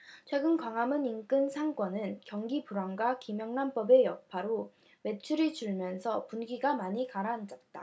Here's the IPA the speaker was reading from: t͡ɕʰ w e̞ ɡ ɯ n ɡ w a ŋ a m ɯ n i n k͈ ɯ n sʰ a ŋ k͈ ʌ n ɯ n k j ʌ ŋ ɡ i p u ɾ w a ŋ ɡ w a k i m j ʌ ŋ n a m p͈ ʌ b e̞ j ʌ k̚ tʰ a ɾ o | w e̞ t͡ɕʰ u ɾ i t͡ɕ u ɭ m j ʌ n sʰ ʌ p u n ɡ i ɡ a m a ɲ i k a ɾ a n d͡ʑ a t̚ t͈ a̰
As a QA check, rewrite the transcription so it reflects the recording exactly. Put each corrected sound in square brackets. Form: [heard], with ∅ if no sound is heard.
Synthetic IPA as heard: t͡ɕʰ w e̞ ɡ ɯ n [k] w a ŋ a m ɯ n i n k͈ ɯ n sʰ a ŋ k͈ ʌ n ɯ n k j ʌ ŋ ɡ i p u ɾ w a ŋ ɡ w a k i m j ʌ ŋ n a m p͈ ʌ b e̞ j ʌ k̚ [pʰ] a ɾ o | w e̞ t͡ɕʰ u ɾ i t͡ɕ u ɭ m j ʌ n sʰ ʌ p u n ɡ i ɡ a m a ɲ i k a ɾ a n d͡ʑ [ʌ] t̚ t͈ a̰